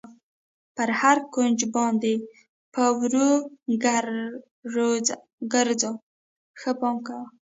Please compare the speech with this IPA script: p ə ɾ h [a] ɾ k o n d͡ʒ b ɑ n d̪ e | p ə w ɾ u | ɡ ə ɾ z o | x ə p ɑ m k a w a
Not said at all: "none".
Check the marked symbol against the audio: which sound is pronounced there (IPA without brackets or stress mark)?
a